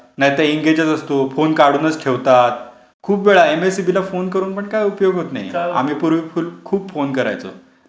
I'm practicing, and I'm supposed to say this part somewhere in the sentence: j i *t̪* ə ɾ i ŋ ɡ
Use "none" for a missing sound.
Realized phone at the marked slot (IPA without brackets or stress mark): t̪